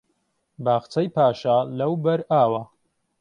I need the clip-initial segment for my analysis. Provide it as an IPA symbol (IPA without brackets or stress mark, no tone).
b